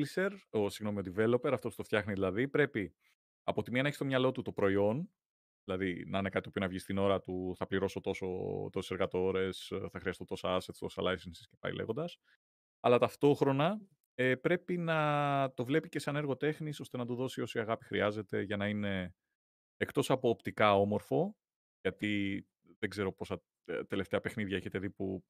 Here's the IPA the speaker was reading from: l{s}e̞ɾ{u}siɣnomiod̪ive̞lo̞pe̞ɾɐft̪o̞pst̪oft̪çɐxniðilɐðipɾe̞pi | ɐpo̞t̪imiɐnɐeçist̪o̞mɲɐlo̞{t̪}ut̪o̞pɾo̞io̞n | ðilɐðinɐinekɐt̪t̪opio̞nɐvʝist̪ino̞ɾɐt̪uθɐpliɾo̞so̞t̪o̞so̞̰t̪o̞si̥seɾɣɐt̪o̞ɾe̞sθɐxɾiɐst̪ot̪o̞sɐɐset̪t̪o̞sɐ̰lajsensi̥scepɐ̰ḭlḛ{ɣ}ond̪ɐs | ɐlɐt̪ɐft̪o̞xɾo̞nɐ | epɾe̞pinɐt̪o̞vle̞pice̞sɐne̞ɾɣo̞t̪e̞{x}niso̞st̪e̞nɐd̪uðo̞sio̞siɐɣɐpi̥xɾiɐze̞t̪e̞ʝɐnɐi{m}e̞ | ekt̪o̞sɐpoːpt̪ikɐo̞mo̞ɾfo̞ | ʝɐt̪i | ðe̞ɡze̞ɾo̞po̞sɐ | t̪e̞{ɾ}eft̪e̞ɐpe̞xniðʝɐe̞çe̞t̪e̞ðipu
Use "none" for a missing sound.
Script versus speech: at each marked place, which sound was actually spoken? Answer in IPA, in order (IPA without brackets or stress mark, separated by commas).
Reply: s, o, t̪, ɣ, x, n, l